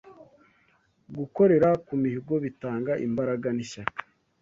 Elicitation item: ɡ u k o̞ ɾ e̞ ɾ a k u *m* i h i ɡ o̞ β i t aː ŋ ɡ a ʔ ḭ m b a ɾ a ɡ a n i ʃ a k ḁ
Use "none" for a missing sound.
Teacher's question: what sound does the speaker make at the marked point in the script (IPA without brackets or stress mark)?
m